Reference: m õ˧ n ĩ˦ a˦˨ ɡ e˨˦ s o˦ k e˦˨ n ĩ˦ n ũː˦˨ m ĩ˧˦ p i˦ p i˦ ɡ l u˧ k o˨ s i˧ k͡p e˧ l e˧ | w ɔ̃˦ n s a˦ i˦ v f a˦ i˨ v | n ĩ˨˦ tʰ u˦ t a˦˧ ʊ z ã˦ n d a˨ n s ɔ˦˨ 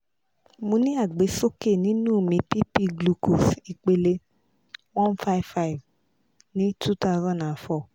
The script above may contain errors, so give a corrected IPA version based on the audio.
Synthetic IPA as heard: m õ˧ n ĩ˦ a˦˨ ɡ͡b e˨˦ s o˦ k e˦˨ n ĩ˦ n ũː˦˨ m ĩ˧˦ p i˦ p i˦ ɡ l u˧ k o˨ s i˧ k͡p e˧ l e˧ | w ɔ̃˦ n f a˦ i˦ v f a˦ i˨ v | n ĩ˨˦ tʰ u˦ t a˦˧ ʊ z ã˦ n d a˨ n f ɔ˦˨

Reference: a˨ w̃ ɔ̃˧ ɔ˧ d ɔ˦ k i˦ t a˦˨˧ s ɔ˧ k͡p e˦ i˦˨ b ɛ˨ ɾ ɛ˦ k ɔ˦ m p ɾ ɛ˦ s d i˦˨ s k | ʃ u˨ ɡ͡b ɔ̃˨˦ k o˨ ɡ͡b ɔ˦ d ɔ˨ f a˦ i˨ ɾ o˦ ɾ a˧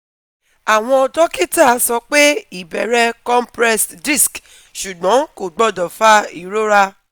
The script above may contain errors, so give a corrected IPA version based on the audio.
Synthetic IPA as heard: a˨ w̃ ɔ̃˧ ɔ˧ d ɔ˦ k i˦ t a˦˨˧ s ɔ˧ k͡p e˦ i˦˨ b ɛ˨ ɾ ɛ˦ k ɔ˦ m p ɾ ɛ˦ s d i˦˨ s k | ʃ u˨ ɡ͡b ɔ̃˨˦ k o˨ ɡ͡b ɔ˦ d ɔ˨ f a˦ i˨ ɾ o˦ ɾ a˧

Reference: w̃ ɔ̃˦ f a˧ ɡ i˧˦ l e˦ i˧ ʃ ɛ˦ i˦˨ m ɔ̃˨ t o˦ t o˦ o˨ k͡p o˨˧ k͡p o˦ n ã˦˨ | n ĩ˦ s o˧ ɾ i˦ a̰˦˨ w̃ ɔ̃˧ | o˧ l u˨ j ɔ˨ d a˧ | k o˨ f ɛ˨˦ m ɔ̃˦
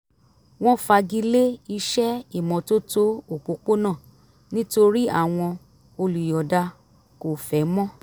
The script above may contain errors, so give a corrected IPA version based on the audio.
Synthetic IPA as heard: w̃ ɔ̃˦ f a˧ ɡ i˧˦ l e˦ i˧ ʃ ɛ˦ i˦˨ m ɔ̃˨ t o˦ t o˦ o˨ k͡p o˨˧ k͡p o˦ n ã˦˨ | n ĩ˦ t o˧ ɾ i˦ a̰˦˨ w̃ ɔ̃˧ | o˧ l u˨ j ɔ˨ d a˧ | k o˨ f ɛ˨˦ m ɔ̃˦

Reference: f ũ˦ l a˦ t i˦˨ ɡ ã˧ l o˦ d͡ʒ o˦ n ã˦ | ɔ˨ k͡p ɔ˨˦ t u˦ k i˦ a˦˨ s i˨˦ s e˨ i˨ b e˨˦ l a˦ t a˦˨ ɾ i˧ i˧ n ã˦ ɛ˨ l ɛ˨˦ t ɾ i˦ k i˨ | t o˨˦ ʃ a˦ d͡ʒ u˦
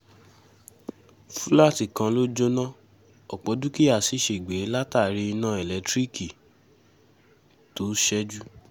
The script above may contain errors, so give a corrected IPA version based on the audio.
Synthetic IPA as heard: f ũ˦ l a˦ t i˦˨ k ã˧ l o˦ d͡ʒ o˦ n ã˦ | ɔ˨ k͡p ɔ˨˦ d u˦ k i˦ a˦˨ s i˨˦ ʃ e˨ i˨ ɡ͡b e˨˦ l a˦ t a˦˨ ɾ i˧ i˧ n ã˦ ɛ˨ l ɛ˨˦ t ɾ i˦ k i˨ | t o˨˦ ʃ ɛ˦ d͡ʒ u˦

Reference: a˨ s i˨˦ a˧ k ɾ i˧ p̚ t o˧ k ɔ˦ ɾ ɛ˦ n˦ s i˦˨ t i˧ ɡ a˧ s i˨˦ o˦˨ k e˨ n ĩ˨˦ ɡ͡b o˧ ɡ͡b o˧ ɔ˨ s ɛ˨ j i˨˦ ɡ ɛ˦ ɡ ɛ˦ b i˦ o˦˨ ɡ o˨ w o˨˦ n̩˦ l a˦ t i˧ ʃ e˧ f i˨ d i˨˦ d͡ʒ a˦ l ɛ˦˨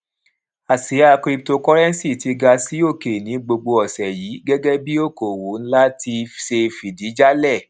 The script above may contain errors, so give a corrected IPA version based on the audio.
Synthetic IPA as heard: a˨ s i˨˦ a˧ k ɾ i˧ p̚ t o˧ k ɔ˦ ɾ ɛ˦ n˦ s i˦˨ t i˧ ɡ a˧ s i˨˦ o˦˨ k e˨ n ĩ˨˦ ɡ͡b o˧ ɡ͡b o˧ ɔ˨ s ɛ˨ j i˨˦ ɡ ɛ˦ ɡ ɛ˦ b i˦ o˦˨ k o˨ w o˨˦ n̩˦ l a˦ t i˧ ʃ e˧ f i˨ d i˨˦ d͡ʒ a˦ l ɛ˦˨

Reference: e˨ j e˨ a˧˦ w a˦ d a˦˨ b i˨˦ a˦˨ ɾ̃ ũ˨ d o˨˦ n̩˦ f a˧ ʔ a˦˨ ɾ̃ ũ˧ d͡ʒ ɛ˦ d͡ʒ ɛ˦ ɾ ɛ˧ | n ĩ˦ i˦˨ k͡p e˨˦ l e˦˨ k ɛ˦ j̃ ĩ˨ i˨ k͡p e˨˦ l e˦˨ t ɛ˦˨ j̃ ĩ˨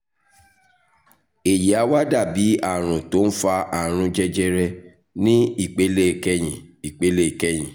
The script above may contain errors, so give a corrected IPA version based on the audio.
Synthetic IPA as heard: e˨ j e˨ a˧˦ w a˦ d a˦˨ b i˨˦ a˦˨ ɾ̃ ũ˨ t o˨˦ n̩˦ f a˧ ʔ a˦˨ ɾ̃ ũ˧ d͡ʒ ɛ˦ d͡ʒ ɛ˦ ɾ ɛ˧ | n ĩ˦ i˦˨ k͡p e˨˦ l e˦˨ k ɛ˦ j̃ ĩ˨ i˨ k͡p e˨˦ l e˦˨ k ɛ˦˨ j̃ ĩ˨

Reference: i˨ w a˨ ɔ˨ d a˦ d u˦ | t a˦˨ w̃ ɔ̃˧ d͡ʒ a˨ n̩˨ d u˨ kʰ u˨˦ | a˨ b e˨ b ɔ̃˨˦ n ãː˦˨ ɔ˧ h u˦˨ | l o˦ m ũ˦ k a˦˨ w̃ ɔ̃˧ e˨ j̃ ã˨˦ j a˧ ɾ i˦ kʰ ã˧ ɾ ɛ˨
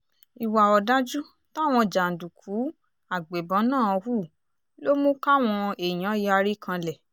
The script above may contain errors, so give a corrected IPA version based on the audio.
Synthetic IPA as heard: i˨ w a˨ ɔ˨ d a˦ d͡ʒ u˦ | t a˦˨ w̃ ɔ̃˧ d͡ʒ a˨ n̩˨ d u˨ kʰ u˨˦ | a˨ ɡ͡b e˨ b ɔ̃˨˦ n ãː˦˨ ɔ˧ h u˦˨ | l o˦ m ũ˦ k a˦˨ w̃ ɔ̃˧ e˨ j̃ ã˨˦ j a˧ ɾ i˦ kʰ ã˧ l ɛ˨

